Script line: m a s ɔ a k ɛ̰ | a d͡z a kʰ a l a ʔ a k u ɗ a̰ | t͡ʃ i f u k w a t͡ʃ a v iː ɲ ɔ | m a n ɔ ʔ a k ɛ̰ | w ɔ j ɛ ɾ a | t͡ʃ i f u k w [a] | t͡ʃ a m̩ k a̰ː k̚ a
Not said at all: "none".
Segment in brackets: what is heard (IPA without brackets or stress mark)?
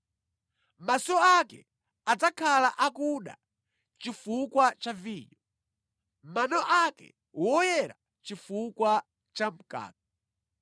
a